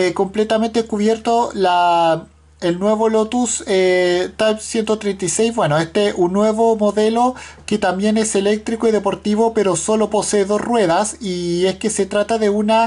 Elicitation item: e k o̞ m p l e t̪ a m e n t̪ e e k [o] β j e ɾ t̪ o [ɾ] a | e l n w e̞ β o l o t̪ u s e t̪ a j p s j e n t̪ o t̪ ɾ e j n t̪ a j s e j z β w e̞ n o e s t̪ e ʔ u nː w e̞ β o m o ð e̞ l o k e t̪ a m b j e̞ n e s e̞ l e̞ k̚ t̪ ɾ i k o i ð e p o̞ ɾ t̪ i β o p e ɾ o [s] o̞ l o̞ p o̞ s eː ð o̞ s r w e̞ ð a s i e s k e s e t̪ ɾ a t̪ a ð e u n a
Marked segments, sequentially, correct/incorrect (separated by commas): incorrect, incorrect, correct